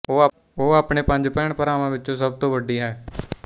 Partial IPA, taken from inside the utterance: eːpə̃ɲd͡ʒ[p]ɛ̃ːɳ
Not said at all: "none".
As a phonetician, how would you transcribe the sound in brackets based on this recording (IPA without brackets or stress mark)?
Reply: p